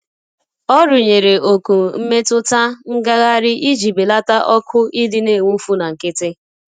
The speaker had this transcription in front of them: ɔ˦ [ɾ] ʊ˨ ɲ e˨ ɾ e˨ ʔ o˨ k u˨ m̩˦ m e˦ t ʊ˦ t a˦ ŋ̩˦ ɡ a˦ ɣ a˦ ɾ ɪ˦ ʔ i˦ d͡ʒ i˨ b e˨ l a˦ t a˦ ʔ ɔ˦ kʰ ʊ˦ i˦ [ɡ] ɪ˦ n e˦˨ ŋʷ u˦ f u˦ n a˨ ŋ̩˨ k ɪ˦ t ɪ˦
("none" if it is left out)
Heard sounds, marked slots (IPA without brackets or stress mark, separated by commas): ɾ, d